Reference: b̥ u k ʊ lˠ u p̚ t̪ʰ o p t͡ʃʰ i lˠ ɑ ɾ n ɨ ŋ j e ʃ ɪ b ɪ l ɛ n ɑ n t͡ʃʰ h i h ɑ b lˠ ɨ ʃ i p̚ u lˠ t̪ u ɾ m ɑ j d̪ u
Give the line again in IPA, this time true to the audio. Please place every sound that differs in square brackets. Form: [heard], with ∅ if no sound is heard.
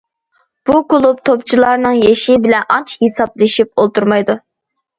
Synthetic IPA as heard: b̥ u k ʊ lˠ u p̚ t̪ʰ o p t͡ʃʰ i lˠ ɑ ɾ n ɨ ŋ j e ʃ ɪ b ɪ l ɛ n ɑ n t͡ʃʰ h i [s] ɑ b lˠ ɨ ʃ i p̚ [o] lˠ t̪ u ɾ m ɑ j d̪ u

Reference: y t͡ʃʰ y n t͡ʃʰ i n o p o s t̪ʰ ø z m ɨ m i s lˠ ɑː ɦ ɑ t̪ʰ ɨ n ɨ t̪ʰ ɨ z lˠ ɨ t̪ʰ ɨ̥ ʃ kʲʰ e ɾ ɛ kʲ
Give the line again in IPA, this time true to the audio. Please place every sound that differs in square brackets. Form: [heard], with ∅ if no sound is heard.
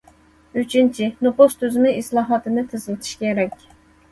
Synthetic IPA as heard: y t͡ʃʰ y n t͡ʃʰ i n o p o s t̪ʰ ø z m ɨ [∅] i s lˠ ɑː ɦ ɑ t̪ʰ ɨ n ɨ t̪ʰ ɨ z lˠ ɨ t̪ʰ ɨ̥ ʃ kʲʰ e ɾ ɛ kʲ

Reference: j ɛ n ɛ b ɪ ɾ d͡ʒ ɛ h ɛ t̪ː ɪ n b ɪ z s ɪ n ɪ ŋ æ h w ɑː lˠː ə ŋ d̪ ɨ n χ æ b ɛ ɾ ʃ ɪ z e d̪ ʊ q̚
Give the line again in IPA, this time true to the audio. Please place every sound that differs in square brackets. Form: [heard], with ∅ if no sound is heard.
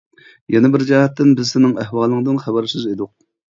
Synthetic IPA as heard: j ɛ n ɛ b ɪ ɾ d͡ʒ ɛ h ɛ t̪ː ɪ n b ɪ z s ɪ n ɪ ŋ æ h w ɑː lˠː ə ŋ d̪ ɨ n χ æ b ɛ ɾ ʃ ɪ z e d̪ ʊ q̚

